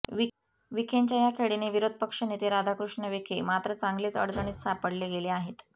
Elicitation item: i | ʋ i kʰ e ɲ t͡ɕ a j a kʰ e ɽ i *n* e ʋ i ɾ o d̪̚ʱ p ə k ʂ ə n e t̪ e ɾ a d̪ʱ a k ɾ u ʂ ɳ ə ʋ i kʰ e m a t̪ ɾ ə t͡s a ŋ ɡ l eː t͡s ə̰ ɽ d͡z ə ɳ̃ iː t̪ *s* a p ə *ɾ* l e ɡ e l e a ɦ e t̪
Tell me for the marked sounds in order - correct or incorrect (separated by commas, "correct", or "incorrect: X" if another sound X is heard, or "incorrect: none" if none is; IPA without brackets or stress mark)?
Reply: correct, correct, incorrect: ɽ